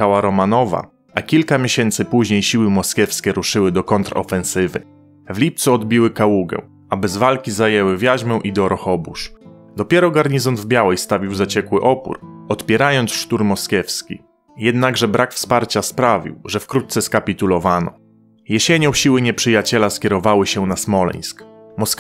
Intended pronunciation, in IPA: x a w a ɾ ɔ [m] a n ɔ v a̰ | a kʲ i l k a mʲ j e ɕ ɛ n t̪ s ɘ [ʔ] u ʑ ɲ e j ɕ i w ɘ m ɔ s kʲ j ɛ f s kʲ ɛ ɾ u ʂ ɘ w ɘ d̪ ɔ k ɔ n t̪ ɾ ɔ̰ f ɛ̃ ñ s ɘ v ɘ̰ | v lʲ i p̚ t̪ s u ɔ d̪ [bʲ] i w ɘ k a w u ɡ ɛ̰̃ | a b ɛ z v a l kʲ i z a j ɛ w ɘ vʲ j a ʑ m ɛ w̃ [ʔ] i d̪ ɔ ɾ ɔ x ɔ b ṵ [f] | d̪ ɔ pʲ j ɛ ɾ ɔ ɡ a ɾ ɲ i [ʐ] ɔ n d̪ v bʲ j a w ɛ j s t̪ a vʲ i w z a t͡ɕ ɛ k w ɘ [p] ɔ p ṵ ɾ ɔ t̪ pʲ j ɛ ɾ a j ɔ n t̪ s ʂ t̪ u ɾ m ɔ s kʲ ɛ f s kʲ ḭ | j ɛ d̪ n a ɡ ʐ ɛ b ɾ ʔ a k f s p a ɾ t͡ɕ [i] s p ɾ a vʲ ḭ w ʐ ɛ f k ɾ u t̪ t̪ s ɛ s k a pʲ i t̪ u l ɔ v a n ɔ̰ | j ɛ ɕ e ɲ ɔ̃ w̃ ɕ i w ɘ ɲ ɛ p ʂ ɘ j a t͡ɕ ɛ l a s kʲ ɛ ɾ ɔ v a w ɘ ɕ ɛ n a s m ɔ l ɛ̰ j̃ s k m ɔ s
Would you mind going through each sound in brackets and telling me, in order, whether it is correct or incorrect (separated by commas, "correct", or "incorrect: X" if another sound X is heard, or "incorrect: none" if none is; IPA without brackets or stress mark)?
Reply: correct, incorrect: p, correct, correct, incorrect: ʂ, incorrect: z, incorrect: ʔ, incorrect: a